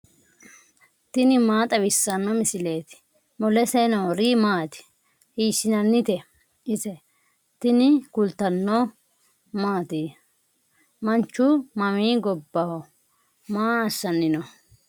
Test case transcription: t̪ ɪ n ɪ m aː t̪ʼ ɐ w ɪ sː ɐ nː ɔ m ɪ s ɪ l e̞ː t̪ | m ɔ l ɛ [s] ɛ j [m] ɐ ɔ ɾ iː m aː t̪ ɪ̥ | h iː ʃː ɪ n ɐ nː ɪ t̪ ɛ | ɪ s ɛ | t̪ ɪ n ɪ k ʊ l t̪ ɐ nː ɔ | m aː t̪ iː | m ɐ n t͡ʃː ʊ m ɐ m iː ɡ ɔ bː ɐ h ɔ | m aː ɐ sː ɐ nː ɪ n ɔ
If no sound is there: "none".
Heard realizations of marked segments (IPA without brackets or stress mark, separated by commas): s, n